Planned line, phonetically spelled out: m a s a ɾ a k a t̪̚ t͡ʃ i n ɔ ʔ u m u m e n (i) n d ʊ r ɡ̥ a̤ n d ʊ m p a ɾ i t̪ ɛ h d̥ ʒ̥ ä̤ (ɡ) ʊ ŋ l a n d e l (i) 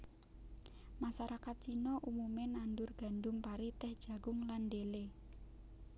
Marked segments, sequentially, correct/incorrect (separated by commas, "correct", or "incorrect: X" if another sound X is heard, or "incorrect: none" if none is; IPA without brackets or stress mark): incorrect: a, correct, incorrect: e